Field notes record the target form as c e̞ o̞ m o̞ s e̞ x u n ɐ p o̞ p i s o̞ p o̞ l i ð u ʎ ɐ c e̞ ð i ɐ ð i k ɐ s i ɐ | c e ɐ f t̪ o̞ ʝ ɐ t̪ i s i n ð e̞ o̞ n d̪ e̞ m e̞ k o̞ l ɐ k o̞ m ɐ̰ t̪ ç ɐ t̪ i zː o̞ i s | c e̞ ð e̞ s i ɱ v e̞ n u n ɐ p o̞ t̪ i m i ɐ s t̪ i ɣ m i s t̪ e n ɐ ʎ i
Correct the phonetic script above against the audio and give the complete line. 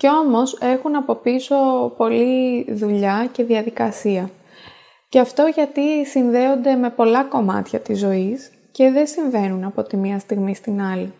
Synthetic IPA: c e̞ o̞ m o̞ s e̞ x u n ɐ p o̞ p i s o̞ p o̞ l i ð u ʎ ɐ c e̞ ð i ɐ ð i k ɐ s i ɐ | c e ɐ f t̪ o̞ ʝ ɐ t̪ i s i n ð e̞ o̞ n d̪ e̞ m e̞ p o̞ l ɐ k o̞ m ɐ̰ t̪ ç ɐ t̪ i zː o̞ i s | c e̞ ð e̞ s i ɱ v e̞ n u n ɐ p o̞ t̪ i m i ɐ s t̪ i ɣ m i s t̪ i n ɐ l i